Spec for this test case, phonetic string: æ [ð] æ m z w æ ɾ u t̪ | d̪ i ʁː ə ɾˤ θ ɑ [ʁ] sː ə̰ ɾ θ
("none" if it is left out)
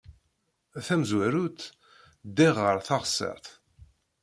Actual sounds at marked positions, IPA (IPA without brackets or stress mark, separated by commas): θ, ʁ